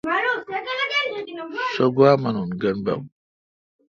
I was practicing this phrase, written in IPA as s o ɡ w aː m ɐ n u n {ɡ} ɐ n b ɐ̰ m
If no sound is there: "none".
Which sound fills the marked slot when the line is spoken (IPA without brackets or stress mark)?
ɡ